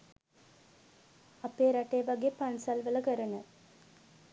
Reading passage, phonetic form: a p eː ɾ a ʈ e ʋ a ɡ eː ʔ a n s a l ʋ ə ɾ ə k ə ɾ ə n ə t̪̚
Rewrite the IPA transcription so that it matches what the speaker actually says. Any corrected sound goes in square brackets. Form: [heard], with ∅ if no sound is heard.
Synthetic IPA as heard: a p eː ɾ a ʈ e ʋ a ɡ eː [p] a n s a l ʋ ə [l] ə k ə ɾ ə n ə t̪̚